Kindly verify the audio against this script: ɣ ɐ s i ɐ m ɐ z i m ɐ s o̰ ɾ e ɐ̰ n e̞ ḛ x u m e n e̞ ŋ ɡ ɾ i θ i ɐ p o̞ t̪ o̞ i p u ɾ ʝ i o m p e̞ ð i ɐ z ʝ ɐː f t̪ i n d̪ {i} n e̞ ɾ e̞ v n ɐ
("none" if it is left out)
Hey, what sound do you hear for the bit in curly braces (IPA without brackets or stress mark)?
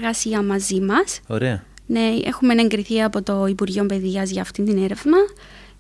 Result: i